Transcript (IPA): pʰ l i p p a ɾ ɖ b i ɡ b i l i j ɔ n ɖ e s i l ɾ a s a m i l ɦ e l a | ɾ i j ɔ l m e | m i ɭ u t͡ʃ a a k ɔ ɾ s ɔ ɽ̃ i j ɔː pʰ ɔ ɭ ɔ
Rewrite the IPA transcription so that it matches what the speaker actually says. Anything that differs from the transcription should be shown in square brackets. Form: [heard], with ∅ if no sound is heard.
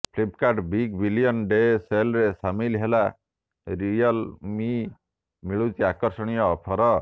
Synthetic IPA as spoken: pʰ l i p [k] a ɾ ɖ b i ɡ b i l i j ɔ n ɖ e s [e] l ɾ [e] s a m i l ɦ e l a | ɾ i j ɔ l m [i] | m i ɭ u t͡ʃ [i] a k ɔ ɾ s ɔ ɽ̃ i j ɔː pʰ ɔ [ɾ] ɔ